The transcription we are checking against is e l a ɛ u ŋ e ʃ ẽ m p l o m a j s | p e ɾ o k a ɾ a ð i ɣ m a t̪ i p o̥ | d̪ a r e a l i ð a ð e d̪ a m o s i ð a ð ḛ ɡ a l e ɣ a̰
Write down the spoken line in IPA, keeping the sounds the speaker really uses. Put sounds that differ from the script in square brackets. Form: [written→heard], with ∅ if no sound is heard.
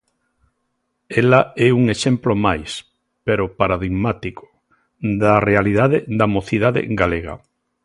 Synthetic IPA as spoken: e l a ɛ u ŋ e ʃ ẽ m p l o m a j s | p e ɾ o [k→p] a ɾ a ð i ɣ m a t̪ i [p→k] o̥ | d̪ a r e a l i ð a ð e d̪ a m o [s→θ] i ð a ð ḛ ɡ a l e ɣ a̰